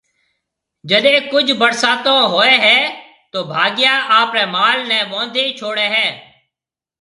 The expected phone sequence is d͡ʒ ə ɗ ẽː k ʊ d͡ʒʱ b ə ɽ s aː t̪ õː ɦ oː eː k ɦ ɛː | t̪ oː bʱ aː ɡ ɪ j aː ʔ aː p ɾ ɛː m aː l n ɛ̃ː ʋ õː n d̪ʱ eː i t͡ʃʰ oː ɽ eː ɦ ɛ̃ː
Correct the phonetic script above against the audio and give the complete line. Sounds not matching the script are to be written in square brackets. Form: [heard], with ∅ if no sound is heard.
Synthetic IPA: d͡ʒ ə ɗ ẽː k ʊ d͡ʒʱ b ə ɽ s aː t̪ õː ɦ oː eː [∅] ɦ ɛː | t̪ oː bʱ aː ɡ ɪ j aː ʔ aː p ɾ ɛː m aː l n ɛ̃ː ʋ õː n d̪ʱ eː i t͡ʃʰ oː ɽ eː ɦ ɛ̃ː